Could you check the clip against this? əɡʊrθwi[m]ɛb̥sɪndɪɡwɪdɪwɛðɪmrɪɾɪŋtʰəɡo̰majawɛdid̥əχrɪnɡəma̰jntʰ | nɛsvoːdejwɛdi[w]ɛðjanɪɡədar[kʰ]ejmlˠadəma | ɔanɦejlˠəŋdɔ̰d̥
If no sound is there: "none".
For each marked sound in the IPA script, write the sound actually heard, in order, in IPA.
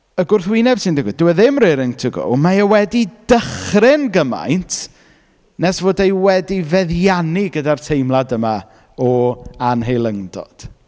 n, v, tʰ

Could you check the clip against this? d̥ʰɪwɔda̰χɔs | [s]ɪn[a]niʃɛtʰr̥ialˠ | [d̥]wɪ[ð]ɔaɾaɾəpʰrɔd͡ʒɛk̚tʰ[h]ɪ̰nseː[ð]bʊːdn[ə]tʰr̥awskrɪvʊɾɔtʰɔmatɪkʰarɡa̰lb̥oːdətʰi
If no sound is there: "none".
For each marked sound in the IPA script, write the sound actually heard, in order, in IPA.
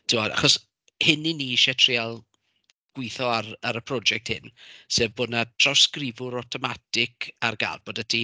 h, i, ɡ̥, θ, h, v, a

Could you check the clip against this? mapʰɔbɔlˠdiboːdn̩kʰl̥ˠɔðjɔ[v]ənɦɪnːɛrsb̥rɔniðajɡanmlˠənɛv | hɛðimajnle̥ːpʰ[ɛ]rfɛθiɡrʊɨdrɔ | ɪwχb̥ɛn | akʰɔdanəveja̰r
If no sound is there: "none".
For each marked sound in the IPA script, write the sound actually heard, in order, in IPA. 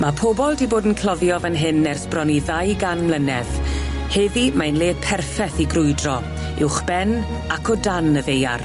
v, ɛ

